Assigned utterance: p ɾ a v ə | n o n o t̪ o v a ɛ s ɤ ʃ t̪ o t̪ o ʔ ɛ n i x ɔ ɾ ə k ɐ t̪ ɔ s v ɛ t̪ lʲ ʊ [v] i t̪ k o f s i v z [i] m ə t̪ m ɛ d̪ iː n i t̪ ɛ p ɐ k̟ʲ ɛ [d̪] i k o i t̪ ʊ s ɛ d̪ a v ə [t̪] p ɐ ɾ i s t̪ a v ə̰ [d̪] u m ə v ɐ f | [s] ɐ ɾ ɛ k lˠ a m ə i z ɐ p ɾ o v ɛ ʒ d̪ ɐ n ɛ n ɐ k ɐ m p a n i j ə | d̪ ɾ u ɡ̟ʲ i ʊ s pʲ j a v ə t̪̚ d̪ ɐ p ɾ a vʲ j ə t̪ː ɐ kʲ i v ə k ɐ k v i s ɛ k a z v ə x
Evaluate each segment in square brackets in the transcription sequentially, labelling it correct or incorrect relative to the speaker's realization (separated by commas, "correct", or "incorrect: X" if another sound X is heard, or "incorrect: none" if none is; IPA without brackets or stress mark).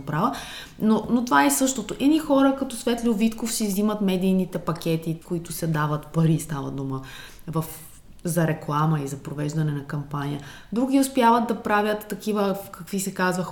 correct, correct, incorrect: t̪, correct, correct, incorrect: z